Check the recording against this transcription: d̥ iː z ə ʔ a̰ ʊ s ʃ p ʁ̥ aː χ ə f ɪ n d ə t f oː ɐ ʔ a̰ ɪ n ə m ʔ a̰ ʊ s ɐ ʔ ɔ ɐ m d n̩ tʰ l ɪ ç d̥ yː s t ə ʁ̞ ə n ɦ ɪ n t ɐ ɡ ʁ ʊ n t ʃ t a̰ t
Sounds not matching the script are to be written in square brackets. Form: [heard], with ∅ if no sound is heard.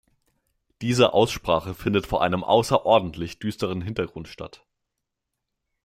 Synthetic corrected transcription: d̥ iː z ə ʔ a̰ ʊ s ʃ p ʁ̥ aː χ ə f ɪ n d ə t f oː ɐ ʔ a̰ ɪ n ə m ʔ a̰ ʊ s ɐ ʔ ɔ ɐ [∅] d n̩ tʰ l ɪ ç d̥ yː s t ə ʁ̞ ə n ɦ ɪ n t ɐ ɡ ʁ ʊ n t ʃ t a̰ t